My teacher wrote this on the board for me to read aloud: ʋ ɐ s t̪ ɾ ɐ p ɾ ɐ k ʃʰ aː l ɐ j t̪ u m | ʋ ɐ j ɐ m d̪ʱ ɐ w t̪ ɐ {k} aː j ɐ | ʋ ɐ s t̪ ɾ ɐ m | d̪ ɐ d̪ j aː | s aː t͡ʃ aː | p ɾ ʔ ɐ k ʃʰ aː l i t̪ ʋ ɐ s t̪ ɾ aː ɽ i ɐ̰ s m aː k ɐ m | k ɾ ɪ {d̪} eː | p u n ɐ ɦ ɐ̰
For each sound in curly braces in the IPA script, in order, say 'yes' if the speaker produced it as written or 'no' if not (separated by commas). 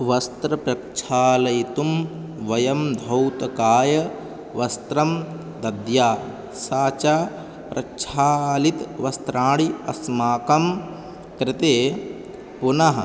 yes, no